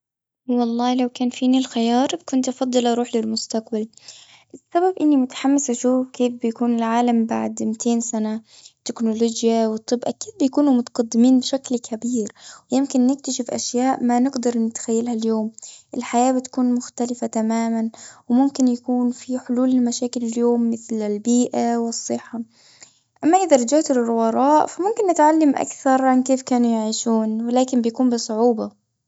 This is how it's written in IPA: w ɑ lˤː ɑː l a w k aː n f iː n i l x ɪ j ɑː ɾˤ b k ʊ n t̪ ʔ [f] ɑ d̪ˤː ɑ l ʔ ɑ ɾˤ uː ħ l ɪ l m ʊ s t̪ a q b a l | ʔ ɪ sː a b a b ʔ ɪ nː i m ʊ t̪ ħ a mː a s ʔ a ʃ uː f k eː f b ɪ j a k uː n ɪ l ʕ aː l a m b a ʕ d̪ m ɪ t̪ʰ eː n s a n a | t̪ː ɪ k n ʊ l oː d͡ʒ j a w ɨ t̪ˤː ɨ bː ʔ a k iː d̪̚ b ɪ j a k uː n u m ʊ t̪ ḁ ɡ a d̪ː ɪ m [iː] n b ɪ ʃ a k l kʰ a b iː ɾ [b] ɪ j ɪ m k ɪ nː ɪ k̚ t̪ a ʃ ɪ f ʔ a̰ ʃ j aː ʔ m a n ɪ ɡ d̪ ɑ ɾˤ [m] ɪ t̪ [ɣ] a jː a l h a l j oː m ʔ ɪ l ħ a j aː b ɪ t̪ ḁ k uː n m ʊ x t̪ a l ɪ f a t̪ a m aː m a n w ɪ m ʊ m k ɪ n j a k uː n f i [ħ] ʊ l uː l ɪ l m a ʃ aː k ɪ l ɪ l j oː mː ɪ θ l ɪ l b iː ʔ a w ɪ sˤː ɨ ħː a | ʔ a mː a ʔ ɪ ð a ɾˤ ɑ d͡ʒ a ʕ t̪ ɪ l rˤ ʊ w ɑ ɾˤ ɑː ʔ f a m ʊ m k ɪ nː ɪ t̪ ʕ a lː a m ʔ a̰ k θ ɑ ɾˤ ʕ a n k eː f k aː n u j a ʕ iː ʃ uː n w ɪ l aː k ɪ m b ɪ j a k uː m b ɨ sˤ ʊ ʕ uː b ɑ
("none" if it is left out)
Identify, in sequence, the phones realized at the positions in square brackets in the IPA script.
f, iː, w, n, x, ħ

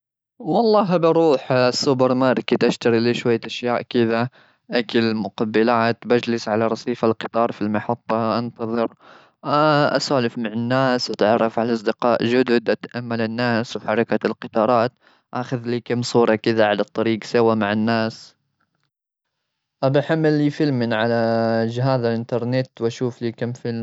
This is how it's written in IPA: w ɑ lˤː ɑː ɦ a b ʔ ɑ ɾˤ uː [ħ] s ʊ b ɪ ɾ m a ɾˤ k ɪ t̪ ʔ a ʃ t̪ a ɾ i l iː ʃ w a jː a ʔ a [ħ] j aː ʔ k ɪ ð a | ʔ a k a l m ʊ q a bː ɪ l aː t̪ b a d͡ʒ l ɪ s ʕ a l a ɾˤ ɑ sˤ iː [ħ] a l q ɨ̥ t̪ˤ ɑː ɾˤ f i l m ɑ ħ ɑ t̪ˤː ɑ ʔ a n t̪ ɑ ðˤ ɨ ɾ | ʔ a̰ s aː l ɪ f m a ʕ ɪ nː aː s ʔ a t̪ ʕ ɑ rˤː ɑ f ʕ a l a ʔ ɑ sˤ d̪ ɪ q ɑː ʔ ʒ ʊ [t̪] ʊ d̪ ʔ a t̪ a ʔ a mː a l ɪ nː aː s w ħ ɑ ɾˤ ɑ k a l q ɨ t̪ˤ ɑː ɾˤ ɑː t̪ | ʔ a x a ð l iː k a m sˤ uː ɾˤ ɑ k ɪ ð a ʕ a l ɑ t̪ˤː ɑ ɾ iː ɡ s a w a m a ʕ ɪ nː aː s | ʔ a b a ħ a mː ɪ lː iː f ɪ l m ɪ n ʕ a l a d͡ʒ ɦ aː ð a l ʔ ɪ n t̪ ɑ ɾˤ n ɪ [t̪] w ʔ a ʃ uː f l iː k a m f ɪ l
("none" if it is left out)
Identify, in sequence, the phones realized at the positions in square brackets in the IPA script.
ħ, ʃ, f, d̪, t̪

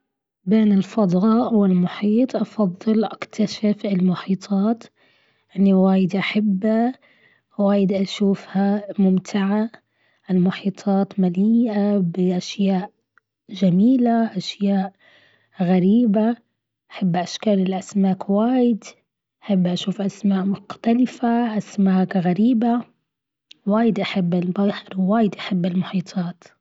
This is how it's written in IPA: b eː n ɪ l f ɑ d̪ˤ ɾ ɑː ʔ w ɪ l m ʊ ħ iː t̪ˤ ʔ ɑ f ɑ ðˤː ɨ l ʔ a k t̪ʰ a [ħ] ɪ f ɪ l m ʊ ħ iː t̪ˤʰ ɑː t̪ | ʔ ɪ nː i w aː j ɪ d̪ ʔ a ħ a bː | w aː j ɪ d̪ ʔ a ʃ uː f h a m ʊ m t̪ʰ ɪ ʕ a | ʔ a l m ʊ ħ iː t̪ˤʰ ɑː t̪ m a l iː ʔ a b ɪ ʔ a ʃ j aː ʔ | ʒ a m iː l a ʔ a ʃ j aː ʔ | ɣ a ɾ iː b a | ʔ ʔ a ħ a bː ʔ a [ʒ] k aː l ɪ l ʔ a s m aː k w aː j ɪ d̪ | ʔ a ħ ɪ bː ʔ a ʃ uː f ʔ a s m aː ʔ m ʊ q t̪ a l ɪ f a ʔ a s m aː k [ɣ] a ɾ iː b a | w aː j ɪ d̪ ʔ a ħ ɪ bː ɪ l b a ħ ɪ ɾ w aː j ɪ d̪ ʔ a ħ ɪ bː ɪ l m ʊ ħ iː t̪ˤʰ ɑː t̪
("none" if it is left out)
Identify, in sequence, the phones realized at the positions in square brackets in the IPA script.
ʃ, ʃ, ɣ

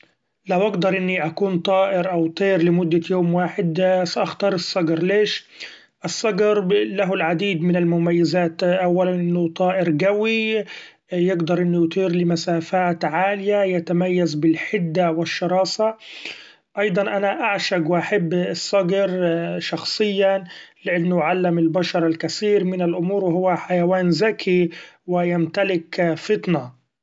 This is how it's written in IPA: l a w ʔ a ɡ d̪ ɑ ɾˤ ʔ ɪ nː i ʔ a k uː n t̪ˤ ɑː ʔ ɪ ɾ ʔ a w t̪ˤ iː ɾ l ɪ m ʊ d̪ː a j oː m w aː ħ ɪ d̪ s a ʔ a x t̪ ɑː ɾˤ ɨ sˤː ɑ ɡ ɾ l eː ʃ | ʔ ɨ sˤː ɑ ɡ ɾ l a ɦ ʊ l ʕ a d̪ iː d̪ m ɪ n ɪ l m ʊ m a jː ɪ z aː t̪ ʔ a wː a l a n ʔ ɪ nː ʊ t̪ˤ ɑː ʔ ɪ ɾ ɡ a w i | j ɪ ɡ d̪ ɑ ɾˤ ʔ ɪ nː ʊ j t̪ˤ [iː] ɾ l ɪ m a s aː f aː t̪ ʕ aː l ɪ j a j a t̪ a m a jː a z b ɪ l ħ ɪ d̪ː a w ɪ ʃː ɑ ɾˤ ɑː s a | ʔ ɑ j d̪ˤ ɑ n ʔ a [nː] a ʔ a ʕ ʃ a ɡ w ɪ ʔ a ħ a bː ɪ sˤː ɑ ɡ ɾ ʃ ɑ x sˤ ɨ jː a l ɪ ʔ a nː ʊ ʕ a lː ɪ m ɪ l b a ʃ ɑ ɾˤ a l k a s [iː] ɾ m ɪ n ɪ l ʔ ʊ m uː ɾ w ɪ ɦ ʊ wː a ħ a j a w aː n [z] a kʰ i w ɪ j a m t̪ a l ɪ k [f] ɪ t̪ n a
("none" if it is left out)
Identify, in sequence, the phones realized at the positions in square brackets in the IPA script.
iː, n, iː, z, f

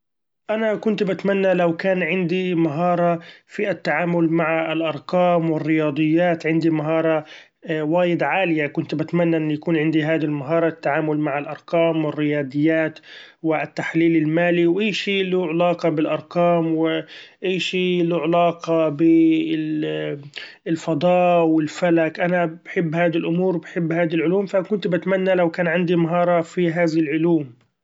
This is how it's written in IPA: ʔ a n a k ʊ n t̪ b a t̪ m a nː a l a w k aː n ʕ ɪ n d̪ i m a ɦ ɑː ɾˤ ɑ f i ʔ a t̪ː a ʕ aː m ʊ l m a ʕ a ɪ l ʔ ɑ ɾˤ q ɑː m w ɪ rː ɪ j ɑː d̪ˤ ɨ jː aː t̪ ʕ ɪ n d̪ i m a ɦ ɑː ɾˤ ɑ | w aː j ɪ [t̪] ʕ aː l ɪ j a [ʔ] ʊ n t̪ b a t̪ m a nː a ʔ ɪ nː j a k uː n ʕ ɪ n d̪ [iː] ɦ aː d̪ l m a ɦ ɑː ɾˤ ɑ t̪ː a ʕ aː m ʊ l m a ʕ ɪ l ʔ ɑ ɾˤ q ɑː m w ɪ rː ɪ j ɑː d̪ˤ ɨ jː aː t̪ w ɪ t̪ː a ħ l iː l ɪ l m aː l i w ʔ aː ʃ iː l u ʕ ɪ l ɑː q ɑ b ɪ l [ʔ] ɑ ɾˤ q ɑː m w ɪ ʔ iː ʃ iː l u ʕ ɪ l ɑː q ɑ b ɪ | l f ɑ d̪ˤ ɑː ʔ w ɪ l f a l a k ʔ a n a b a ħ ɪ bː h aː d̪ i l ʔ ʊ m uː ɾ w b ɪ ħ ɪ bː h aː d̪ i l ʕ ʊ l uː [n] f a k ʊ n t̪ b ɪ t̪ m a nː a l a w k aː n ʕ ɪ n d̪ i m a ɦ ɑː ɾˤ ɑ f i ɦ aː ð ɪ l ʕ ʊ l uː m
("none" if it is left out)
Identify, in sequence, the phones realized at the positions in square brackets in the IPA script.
d̪, k, i, ʔ, m

